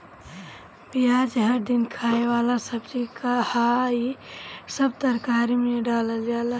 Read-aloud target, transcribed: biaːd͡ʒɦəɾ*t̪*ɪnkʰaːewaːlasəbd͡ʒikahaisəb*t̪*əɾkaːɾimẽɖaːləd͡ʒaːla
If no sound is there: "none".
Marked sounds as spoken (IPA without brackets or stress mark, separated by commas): d̪, t̪